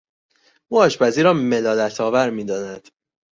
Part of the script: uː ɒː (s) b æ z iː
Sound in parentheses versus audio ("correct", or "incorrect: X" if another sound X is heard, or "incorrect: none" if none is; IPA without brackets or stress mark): incorrect: ʃ